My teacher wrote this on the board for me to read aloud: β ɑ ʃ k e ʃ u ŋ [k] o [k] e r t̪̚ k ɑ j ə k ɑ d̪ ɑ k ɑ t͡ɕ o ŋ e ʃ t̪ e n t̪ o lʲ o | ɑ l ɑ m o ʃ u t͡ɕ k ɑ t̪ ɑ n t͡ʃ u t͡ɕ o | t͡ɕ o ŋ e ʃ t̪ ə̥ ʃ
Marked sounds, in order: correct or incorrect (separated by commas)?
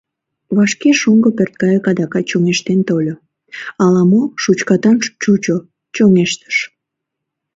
incorrect, incorrect